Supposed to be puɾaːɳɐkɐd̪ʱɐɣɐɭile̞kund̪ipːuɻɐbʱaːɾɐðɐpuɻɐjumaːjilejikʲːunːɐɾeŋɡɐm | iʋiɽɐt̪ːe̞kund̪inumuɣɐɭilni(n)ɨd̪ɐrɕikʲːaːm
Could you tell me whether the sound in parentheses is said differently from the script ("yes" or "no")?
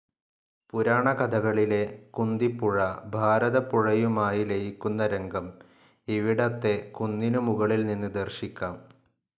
yes